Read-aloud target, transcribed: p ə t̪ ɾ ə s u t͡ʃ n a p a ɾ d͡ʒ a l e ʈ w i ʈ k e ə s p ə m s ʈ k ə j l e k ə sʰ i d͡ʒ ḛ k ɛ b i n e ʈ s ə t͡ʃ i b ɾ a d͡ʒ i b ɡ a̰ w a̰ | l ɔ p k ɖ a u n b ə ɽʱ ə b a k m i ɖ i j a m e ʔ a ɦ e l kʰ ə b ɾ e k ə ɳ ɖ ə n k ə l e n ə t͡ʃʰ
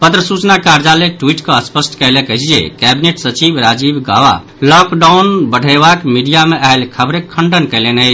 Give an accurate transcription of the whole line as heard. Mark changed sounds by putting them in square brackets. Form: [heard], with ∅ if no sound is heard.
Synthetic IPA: p ə t̪ ɾ ə s u t͡ʃ n a [k] a ɾ d͡ʒ a l e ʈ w i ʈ k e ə s p ə [∅] s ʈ k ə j l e k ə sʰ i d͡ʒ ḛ k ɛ b i n e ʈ s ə t͡ʃ i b ɾ a d͡ʒ i b ɡ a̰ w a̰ | l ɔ [∅] k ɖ a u n b ə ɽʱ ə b a k m i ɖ i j a m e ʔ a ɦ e l kʰ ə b ɾ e [kʰ] ə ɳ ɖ ə n k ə l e n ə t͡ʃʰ